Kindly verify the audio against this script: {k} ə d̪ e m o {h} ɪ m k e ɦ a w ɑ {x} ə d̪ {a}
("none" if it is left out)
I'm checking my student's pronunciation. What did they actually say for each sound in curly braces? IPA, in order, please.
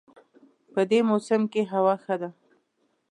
p, s, x, a

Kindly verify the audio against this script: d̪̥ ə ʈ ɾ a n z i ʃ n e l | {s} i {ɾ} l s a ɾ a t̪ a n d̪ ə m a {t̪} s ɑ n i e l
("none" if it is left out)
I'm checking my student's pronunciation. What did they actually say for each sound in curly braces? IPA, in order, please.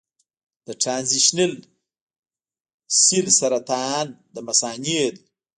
s, none, none

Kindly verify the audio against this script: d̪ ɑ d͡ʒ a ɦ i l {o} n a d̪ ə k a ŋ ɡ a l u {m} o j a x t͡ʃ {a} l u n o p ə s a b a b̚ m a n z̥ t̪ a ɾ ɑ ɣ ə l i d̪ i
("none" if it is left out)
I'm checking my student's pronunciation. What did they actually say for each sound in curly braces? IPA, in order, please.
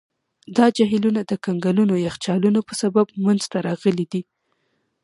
u, n, ɑ

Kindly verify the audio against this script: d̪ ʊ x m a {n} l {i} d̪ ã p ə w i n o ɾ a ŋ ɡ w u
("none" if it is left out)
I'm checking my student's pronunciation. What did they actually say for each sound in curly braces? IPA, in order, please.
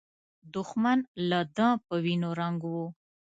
n, a

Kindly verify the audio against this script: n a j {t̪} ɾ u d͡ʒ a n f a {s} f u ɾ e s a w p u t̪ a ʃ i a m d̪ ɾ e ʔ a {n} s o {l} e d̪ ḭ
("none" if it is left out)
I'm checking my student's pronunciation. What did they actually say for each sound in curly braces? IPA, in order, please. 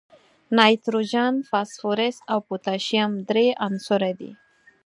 t̪, s, n, ɾ

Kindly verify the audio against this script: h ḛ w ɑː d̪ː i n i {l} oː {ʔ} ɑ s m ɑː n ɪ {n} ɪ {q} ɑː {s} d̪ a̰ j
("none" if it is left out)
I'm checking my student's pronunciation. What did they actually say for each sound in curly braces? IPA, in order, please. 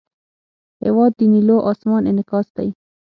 l, ʔ, n, k, s

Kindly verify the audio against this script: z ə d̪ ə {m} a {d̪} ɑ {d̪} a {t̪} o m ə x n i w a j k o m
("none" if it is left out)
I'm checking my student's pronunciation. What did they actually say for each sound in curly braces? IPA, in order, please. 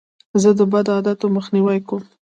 b, d̪, d̪, t̪

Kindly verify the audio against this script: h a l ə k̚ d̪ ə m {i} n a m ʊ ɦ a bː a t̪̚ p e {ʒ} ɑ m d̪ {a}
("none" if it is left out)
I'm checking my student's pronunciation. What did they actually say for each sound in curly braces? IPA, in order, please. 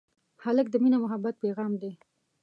i, ɣ, e

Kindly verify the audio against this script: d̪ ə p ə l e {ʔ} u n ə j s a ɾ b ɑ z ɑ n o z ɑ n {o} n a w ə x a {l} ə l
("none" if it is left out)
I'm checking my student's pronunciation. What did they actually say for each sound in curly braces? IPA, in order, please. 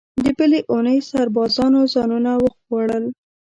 ʔ, u, ɽ

